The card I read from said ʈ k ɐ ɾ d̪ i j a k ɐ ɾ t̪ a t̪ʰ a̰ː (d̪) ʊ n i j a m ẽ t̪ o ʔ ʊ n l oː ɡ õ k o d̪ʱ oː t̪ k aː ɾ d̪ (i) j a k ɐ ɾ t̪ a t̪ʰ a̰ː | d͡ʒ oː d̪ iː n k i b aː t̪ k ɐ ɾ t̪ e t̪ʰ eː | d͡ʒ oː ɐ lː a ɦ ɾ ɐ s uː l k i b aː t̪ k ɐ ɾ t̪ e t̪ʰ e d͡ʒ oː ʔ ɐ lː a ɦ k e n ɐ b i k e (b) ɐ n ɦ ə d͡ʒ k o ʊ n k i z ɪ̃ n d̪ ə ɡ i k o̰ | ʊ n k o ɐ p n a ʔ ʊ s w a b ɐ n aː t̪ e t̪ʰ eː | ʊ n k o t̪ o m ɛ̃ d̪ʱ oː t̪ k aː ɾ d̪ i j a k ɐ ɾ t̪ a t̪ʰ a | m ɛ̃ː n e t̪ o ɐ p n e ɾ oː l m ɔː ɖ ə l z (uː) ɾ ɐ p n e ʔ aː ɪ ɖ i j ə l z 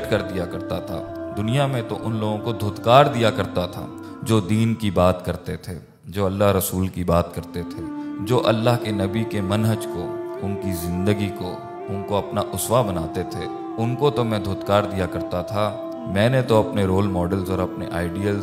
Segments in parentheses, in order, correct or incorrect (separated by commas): correct, correct, incorrect, incorrect